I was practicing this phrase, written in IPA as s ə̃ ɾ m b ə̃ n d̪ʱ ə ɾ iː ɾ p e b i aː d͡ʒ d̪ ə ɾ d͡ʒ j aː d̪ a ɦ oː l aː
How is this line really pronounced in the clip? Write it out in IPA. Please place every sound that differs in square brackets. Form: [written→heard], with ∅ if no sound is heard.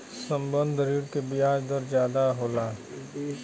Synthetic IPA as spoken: s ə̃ [ɾ→∅] m b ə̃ n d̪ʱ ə ɾ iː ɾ [p→k] e b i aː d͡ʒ d̪ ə ɾ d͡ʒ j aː d̪ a ɦ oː l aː